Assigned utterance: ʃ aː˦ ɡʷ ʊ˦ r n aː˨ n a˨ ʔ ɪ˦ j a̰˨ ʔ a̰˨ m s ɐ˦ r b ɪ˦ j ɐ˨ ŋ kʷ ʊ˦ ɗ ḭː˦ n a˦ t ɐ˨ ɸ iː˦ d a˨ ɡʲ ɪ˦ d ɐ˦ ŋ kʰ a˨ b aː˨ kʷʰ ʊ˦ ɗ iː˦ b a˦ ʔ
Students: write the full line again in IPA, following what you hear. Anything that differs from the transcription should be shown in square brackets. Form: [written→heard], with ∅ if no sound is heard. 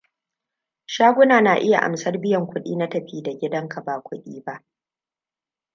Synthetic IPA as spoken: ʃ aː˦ ɡʷ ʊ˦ [r→∅] n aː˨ n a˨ ʔ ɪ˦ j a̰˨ ʔ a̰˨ m s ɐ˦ r b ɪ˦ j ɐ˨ ŋ kʷ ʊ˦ ɗ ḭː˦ n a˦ t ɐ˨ ɸ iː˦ d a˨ ɡʲ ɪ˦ d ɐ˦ ŋ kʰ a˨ b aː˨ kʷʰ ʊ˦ ɗ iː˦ b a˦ ʔ

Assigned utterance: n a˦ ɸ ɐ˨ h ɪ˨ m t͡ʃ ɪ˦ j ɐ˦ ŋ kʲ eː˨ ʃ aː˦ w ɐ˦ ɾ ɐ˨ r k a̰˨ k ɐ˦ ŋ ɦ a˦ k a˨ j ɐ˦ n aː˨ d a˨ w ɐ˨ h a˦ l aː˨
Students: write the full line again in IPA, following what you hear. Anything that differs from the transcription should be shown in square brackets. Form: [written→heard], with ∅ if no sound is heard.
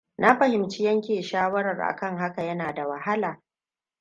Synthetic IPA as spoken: n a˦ ɸ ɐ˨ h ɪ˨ m t͡ʃ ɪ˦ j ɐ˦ ŋ kʲ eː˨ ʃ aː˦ w ɐ˦ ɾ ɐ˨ r [k→ʔ] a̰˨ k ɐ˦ ŋ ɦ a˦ k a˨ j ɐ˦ n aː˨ d a˨ w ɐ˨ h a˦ l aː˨

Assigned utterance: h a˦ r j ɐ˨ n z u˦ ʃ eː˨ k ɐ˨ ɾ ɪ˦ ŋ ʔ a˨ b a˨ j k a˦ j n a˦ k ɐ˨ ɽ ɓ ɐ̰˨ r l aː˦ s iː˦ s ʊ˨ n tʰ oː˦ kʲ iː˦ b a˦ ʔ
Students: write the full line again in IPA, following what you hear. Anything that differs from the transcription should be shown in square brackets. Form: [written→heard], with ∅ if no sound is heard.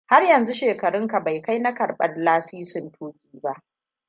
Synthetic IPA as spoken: h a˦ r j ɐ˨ n z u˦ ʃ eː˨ k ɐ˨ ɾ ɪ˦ ŋ [ʔ→k] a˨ b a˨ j k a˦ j n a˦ k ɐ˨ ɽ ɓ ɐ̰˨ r l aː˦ s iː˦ s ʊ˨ n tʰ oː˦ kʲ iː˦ b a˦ ʔ

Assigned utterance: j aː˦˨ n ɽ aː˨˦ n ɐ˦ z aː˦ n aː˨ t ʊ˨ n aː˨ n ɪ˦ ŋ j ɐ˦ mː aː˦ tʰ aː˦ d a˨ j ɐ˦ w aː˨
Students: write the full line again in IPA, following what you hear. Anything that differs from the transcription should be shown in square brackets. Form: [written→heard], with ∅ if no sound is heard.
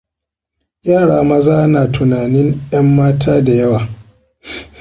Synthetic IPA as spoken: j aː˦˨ [n→∅] ɽ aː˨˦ [n→m] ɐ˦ z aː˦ n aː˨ t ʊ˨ n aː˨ n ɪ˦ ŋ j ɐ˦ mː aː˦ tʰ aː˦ d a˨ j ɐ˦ w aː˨

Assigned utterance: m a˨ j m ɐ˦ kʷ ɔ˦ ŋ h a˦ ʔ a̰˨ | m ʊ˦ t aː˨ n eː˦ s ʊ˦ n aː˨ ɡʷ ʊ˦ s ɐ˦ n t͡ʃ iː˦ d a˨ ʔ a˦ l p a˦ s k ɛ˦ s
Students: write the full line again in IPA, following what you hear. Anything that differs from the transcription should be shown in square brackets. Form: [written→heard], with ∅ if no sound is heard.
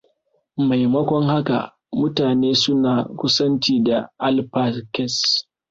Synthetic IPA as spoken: m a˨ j m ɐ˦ kʷ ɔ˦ ŋ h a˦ [ʔ→k] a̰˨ | m ʊ˦ t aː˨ n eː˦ s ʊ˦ n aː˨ [ɡʷ→kʷ] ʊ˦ s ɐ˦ n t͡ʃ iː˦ d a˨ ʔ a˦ l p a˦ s k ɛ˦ s

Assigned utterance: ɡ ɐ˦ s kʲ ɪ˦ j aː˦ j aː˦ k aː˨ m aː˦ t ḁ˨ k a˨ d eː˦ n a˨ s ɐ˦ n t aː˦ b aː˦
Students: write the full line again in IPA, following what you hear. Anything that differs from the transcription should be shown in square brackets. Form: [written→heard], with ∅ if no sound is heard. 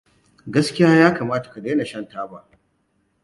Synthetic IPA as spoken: ɡ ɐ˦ s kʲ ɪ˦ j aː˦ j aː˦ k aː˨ m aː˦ t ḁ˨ k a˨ d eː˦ n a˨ [s→ʃ] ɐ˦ n t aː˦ b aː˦

